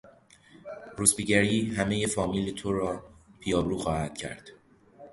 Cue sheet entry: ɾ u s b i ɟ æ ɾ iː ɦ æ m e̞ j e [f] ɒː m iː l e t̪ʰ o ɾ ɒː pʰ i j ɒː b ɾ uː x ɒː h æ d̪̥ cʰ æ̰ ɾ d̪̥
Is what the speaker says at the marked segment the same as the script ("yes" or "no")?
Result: yes